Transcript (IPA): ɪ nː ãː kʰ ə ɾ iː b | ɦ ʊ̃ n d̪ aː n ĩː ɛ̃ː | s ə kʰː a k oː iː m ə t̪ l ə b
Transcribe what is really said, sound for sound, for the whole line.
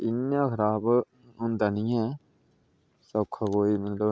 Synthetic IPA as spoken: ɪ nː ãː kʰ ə ɾ aː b | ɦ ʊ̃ n d̪ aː n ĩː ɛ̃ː | s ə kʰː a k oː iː m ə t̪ l ə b